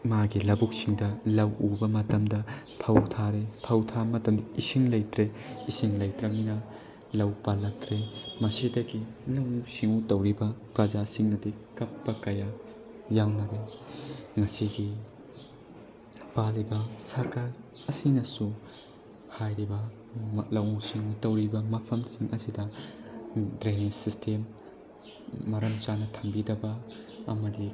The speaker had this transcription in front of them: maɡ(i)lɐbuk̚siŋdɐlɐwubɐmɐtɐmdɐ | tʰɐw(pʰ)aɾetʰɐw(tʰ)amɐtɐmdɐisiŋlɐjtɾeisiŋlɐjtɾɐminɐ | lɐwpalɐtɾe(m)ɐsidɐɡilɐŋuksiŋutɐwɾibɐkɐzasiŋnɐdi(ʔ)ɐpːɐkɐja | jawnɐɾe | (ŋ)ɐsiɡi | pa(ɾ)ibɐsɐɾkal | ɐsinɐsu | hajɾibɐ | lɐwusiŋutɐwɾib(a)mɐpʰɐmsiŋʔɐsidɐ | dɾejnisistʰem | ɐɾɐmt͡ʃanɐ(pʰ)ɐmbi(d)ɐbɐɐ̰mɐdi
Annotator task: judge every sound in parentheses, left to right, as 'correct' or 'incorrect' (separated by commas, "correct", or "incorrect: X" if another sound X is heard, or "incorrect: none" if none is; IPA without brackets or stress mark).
correct, incorrect: tʰ, correct, correct, incorrect: k, correct, incorrect: l, incorrect: ɐ, incorrect: tʰ, correct